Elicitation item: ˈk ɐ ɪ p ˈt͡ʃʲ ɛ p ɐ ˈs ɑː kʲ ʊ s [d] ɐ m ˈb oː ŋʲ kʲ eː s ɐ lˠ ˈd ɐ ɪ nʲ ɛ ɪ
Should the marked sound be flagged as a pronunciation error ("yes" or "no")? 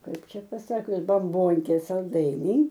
yes